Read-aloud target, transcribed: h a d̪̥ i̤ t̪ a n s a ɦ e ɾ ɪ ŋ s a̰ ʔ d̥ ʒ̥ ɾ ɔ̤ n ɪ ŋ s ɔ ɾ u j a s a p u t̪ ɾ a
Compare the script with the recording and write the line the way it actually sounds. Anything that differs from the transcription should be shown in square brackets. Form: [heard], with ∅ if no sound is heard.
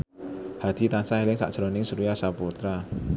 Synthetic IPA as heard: h a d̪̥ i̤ t̪ a n s a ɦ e [l] ɪ ŋ s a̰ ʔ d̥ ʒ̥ ɾ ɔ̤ n ɪ ŋ s [u] ɾ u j a s a p u t̪ ɾ a